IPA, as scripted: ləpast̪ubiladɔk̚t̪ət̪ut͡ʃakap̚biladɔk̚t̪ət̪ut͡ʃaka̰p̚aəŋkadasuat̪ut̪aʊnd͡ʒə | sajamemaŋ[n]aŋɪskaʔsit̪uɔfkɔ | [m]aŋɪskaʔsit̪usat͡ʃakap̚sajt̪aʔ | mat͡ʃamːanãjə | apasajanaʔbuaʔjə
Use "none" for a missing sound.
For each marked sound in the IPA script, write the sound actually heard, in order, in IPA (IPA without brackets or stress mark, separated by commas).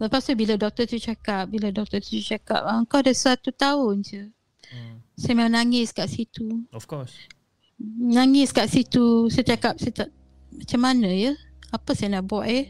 n, n